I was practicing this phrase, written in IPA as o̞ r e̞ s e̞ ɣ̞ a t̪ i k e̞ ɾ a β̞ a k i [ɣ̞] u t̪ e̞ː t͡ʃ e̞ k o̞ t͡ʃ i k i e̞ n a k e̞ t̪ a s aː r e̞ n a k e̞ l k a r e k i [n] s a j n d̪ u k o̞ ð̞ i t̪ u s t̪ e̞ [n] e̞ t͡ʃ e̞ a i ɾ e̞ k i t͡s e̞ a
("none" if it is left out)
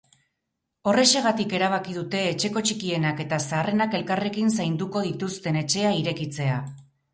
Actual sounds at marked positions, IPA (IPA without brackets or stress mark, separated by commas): ð̞, n, n